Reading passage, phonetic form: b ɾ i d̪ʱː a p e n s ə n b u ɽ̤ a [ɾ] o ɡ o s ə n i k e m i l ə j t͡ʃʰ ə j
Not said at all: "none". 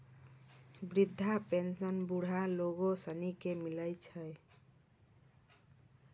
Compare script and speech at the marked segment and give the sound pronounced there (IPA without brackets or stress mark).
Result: l